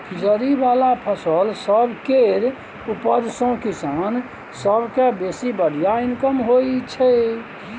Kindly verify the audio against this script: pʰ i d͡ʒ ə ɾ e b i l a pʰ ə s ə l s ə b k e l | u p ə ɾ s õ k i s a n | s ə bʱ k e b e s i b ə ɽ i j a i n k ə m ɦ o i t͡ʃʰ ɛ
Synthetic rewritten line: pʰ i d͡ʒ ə ɾ i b a l a pʰ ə s ə l s ə b k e ɾ | u p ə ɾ s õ k i s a n | s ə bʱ k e b e s i b ə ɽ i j a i n k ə m ɦ o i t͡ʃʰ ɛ